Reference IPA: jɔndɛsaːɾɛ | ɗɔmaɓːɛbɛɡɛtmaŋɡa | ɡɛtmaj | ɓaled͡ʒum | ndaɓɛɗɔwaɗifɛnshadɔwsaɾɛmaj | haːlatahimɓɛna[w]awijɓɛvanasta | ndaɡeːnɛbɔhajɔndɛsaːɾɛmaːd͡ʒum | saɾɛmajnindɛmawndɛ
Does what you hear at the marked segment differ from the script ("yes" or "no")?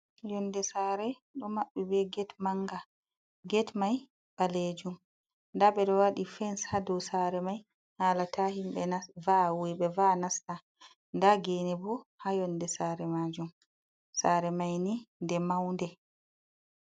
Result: yes